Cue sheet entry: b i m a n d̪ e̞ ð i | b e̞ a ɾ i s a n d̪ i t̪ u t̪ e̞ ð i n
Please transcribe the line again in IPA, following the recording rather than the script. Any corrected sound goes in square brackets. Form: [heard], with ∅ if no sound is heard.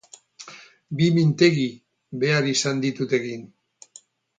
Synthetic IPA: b i m [i] n [t̪] e̞ [ɣ] i | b e̞ a ɾ i s a n d̪ i t̪ u t̪ e̞ [ɣ] i n